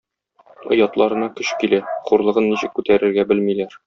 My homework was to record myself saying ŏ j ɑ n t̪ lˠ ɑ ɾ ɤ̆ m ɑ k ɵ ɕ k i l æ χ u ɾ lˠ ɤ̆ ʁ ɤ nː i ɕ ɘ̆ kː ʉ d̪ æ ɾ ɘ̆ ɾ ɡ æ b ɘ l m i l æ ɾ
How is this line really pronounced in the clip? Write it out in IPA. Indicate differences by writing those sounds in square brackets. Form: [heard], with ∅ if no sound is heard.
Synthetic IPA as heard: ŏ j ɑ [∅] t̪ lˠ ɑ ɾ ɤ̆ [n] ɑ k ɵ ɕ k i l æ χ u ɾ lˠ ɤ̆ ʁ ɤ nː i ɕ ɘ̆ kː ʉ [t̪] æ ɾ ɘ̆ ɾ ɡ æ b ɘ l m i l æ ɾ

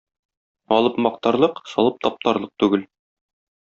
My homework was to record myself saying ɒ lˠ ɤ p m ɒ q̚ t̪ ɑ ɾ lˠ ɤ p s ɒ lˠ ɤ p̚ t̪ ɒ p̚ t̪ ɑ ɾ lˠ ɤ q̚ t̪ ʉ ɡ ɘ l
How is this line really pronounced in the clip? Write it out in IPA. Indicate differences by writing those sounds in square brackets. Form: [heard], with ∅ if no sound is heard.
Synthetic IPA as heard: ɒ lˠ ɤ p m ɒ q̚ t̪ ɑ ɾ lˠ ɤ [q] s ɒ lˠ ɤ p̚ t̪ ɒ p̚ t̪ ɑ ɾ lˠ ɤ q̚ t̪ ʉ ɡ ɘ l

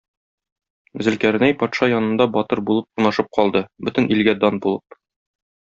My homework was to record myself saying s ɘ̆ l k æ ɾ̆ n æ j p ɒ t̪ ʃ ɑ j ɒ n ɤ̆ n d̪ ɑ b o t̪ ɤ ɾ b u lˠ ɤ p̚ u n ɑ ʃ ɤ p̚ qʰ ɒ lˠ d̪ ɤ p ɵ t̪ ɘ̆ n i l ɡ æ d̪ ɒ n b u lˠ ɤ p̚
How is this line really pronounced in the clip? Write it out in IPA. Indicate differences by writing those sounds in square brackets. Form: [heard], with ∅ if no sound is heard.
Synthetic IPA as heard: [z] ɘ̆ l k æ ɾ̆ n æ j p ɒ t̪ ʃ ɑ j ɒ n ɤ̆ n d̪ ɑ b [ɒ] t̪ ɤ ɾ b u lˠ ɤ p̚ u n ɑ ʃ ɤ p̚ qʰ ɒ lˠ d̪ ɤ [b] ɵ t̪ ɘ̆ n i l ɡ æ d̪ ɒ n b u lˠ ɤ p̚

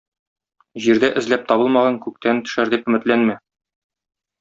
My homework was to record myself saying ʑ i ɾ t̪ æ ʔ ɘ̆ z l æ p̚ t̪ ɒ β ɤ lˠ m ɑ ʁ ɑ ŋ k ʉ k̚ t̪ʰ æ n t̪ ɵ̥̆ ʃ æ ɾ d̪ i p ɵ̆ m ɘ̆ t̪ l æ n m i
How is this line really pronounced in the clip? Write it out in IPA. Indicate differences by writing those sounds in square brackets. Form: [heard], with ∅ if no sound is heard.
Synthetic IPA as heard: ʑ i ɾ [d̪] æ ʔ ɘ̆ z l æ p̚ t̪ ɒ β ɤ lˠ m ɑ ʁ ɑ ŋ k ʉ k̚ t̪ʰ æ n t̪ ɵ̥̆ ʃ æ ɾ d̪ i p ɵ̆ m ɘ̆ t̪ l æ n m [æ]

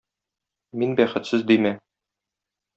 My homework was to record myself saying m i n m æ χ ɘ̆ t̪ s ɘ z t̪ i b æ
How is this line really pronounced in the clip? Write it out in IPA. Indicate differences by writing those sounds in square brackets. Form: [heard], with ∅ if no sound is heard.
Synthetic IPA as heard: m i n [b] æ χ ɘ̆ t̪ s ɘ z [d̪] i [m] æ

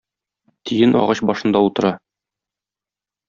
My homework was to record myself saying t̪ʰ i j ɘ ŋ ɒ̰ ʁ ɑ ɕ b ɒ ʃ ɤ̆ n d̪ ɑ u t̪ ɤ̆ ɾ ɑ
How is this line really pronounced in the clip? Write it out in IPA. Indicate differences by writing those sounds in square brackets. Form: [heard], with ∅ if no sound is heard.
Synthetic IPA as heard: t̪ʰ i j ɘ [n] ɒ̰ ʁ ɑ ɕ b ɒ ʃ ɤ̆ n d̪ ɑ u t̪ ɤ̆ ɾ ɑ

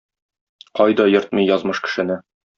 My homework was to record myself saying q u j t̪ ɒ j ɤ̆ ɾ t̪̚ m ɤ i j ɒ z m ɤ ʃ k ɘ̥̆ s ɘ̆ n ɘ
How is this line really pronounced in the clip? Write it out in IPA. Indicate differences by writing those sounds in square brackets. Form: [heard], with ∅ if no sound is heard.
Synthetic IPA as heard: q [ɒ] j [d̪] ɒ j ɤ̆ ɾ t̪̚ m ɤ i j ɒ z m ɤ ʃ k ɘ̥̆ [ʃ] ɘ̆ n ɘ

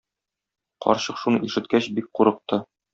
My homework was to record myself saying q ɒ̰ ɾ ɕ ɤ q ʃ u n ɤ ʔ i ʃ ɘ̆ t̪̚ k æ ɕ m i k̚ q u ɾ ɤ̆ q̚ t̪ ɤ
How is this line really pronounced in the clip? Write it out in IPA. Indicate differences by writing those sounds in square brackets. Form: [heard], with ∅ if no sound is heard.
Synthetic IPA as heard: q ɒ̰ ɾ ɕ ɤ q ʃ u n ɤ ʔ i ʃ ɘ̆ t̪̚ k æ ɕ [b] i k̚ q u ɾ ɤ̆ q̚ t̪ ɤ

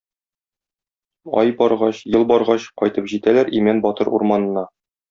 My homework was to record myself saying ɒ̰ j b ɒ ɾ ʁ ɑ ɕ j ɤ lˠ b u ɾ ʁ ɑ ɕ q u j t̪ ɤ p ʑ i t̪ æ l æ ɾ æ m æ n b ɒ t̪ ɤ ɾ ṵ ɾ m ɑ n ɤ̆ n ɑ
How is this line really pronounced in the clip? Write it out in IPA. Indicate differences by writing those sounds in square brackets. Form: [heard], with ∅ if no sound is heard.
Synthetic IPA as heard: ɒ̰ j b ɒ ɾ ʁ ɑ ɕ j ɤ lˠ b [ɒ] ɾ ʁ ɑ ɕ q [ɒ] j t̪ ɤ p ʑ i t̪ æ l æ ɾ [i] m æ n b ɒ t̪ ɤ ɾ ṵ ɾ m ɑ n ɤ̆ n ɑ

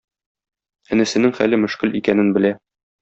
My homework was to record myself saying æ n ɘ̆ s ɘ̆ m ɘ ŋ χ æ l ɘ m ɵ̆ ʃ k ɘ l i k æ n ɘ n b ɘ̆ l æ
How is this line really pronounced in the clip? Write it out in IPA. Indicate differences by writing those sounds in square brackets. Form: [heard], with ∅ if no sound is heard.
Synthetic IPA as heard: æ n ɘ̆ s ɘ̆ [n] ɘ ŋ χ æ l ɘ m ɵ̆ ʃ k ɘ l i k æ n ɘ n b ɘ̆ l æ

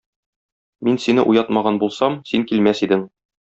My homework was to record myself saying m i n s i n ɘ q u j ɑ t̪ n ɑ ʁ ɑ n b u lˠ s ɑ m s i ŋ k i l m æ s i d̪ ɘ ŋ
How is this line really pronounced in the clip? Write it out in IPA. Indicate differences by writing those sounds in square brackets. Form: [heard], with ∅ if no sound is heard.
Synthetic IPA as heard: m i n s i n ɘ [ʔ] u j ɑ t̪ [m] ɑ ʁ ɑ n b u lˠ s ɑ m s i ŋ k i l m æ s i d̪ ɘ ŋ

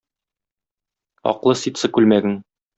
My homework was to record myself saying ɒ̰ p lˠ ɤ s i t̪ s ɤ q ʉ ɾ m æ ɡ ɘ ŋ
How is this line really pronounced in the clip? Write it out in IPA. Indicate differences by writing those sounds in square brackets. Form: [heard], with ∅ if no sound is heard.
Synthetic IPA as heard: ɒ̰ [q] lˠ ɤ s i t̪ s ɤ [k] ʉ [l] m æ ɡ ɘ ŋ

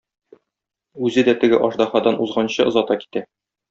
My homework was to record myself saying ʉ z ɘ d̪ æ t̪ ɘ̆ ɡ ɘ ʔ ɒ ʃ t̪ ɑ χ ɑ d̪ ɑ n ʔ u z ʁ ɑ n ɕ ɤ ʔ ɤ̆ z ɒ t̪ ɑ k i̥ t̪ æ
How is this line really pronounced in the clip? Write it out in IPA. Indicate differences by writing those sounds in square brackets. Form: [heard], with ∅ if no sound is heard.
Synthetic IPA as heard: ʉ z ɘ d̪ æ t̪ ɘ̆ ɡ ɘ ʔ ɒ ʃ [d̪] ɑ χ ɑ d̪ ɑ n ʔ u z ʁ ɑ n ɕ ɤ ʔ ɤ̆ z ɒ t̪ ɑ k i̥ t̪ æ

